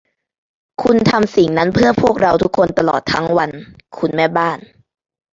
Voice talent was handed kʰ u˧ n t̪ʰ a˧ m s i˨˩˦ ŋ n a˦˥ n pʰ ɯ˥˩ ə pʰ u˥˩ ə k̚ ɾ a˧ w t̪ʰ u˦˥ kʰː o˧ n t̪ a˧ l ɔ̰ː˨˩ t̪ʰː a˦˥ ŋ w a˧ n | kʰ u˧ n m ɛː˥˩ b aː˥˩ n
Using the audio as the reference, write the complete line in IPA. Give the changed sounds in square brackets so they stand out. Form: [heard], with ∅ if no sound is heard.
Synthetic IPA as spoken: kʰ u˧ n t̪ʰ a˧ m s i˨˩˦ ŋ n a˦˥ n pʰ ɯ˥˩ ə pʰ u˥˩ ə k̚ ɾ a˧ w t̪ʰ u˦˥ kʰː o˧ n t̪ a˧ l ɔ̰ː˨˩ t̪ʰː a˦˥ ŋ w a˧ n | kʰ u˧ n m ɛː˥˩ b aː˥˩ n